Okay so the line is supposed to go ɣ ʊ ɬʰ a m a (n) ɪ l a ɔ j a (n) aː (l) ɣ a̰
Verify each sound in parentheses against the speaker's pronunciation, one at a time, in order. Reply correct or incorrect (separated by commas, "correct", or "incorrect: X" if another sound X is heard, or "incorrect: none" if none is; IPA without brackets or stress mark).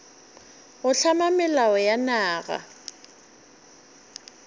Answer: incorrect: m, correct, incorrect: none